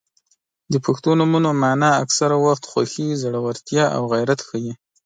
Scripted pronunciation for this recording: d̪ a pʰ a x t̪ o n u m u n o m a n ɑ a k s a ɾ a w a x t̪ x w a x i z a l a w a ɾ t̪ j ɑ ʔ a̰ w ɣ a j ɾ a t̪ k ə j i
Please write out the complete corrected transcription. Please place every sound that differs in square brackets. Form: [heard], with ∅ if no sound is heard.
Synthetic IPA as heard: d̪ [ə] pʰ a x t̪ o n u m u n o m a n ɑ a k s a ɾ a w a x t̪ x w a x i z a [ɽ] a w a ɾ t̪ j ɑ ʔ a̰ w ɣ a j ɾ a t̪ [x] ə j i